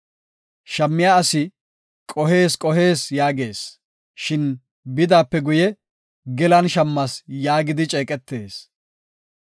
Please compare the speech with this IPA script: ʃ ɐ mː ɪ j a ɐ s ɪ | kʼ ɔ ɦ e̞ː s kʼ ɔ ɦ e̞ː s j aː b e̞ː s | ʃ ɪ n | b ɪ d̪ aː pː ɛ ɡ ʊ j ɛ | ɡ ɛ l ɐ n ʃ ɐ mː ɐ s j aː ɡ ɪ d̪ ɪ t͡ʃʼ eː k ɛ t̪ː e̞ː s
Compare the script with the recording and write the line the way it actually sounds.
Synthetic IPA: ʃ ɐ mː ɪ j a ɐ s ɪ | kʼ ɔ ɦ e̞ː s kʼ ɔ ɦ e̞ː s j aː ɡ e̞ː s | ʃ ɪ n | b ɪ d̪ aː pː ɛ ɡ ʊ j ɛ | ɡ ɛ l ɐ n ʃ ɐ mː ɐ s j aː ɡ ɪ d̪ ɪ t͡ʃʼ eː kʼ ɛ t̪ː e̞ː s